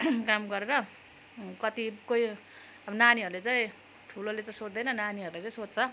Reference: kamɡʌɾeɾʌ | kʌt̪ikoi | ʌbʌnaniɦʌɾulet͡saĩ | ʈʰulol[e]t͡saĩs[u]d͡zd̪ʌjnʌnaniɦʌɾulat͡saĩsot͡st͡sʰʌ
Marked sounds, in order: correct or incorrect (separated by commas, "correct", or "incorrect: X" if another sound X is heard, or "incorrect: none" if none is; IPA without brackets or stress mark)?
correct, incorrect: o